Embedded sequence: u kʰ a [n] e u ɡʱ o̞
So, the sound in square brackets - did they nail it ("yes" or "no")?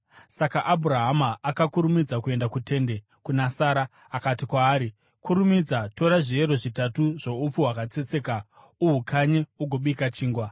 no